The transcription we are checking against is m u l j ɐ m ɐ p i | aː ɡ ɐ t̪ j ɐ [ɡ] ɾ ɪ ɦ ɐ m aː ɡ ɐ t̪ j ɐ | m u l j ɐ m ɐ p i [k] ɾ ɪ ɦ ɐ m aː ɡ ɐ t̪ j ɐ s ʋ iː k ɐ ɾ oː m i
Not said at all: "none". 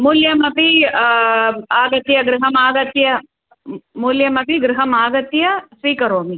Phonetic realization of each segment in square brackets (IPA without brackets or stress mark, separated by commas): ɡ, ɡ